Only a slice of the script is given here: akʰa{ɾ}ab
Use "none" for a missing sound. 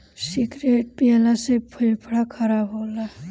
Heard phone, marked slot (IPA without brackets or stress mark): ɾ